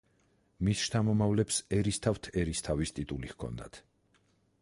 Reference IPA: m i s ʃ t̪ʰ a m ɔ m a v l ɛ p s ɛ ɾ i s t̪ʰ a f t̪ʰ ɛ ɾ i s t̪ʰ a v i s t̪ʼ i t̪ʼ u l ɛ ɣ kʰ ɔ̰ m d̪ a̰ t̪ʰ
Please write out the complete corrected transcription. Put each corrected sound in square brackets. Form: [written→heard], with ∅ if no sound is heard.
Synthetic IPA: m i s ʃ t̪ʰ a m ɔ m a v l ɛ p s ɛ ɾ i s t̪ʰ a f t̪ʰ ɛ ɾ i s t̪ʰ a v i s t̪ʼ i t̪ʼ u l [ɛ→i] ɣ kʰ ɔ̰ [m→n] d̪ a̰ t̪ʰ